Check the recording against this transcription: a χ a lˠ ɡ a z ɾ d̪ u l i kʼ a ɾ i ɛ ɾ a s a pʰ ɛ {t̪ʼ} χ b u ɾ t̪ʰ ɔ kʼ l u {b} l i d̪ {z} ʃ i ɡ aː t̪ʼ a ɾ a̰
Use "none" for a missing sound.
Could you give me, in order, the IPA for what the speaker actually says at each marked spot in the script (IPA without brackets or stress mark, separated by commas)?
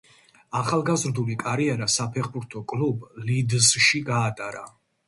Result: none, b, z